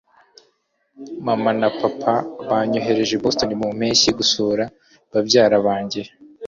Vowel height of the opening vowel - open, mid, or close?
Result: open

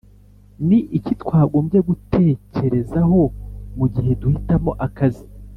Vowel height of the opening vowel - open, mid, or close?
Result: close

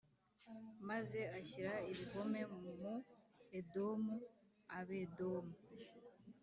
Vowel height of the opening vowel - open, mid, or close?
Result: open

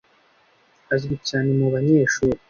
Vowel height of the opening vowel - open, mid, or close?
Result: open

